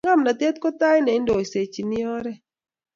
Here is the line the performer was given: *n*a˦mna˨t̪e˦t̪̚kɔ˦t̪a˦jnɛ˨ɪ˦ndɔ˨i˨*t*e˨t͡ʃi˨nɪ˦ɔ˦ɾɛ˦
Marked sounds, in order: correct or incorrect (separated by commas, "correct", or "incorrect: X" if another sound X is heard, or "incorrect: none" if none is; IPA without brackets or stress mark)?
incorrect: ŋ, incorrect: s